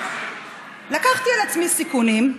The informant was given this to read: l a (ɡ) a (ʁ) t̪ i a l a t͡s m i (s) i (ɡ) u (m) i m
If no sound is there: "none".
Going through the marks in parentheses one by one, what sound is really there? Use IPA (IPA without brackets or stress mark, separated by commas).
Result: k, χ, s, k, n